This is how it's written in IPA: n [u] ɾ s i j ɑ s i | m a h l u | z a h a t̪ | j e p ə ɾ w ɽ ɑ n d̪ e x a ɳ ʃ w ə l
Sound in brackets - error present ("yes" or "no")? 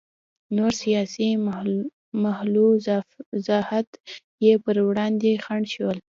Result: yes